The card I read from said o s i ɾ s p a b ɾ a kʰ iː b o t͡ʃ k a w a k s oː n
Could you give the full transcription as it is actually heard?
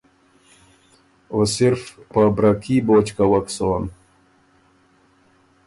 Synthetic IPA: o s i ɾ f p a b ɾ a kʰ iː b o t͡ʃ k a w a k s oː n